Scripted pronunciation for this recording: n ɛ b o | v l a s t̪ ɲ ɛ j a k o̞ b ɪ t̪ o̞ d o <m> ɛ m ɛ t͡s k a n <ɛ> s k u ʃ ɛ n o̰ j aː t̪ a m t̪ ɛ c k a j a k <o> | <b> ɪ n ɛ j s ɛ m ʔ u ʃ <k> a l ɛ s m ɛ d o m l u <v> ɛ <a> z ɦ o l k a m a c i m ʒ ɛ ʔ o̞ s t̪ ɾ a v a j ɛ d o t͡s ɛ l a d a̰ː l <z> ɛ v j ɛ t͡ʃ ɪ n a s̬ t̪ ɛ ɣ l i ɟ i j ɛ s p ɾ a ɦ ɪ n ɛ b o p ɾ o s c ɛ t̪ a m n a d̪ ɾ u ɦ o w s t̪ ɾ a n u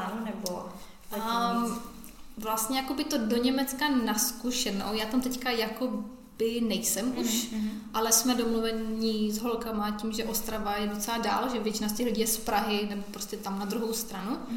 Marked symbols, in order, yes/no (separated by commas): no, no, yes, yes, no, yes, no, no